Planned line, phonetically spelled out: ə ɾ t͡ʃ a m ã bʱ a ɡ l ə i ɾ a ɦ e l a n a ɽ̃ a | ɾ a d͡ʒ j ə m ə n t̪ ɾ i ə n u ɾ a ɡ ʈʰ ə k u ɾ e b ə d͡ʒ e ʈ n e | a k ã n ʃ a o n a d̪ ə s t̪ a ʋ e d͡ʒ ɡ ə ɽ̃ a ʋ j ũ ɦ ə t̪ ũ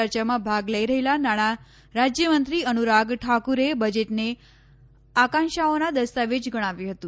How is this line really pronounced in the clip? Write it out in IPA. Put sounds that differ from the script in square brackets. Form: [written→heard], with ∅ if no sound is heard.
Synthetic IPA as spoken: ə ɾ t͡ʃ a m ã bʱ a ɡ l ə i ɾ [a→ə] ɦ e l a n a ɽ̃ a | ɾ a d͡ʒ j ə m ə n t̪ ɾ i ə n u ɾ a ɡ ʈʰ [ə→a] k u ɾ e b ə d͡ʒ e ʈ n e | a k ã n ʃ a o n a d̪ ə s t̪ a ʋ e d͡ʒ ɡ ə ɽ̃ a ʋ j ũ ɦ ə t̪ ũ